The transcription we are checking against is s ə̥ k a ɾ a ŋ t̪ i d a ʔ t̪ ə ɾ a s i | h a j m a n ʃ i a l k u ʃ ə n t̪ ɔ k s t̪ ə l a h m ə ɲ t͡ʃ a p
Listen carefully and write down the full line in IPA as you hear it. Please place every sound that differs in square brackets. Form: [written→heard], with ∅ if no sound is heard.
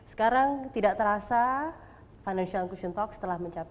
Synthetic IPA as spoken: s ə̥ k a ɾ a ŋ t̪ i d a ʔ t̪ ə ɾ a s [i→a] | [h→f] a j [m→n] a n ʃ i a l k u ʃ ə n t̪ ɔ k s t̪ ə l a h m ə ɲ t͡ʃ a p